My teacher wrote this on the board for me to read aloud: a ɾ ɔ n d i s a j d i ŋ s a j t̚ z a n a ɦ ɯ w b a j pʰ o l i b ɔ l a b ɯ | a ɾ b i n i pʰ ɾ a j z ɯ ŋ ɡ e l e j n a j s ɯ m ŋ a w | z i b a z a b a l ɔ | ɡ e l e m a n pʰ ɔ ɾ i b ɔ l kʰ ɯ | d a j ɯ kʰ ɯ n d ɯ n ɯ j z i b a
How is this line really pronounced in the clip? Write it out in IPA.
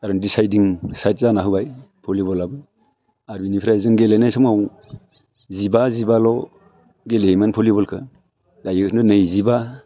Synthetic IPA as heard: a ɾ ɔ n d i s a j d i ŋ s a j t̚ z a n a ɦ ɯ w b a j pʰ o l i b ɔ l a b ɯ | a ɾ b i n i pʰ ɾ a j z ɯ ŋ ɡ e l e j n a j s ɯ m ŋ a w | z i b a z i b a l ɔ | ɡ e l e m a n pʰ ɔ l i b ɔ l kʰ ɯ | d a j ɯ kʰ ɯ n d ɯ n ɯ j z i b a